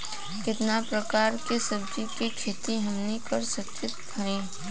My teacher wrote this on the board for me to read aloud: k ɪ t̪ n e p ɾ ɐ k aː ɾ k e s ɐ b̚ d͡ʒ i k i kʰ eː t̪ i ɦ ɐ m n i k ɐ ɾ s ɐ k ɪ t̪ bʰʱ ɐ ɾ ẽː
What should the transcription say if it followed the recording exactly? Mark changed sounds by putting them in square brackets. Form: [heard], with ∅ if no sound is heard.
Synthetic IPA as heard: k ɪ t̪ n [a] p ɾ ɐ k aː ɾ k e s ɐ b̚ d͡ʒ i k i kʰ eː t̪ i ɦ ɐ m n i k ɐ ɾ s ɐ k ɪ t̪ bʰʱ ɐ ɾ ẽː